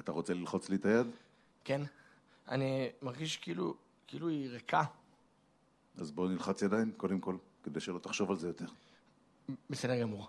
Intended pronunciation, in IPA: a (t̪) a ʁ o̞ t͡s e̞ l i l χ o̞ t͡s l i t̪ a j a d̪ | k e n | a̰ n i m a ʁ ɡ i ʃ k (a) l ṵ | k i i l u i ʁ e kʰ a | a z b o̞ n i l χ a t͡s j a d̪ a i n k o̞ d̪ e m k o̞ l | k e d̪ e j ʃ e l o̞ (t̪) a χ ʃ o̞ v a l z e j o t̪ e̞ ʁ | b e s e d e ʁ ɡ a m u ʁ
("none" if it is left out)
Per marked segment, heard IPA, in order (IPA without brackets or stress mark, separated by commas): t̪, i, t̪